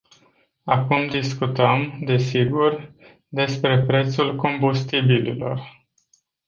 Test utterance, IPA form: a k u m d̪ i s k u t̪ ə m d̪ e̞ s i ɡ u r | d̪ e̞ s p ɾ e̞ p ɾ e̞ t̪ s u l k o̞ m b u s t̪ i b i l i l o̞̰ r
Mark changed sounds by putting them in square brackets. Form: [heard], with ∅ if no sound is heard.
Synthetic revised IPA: a k u m d̪ i s k u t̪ ə m d̪ e̞ s i ɡ u r | d̪ e̞ s p ɾ e̞ p ɾ e̞ t̪ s u l k o̞ m b u s t̪ i b i l i l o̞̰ r